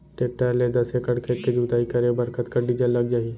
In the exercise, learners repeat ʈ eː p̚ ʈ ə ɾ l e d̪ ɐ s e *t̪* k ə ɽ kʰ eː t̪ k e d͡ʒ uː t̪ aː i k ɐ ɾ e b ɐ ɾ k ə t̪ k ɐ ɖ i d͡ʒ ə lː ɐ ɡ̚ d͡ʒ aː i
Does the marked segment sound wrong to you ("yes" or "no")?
yes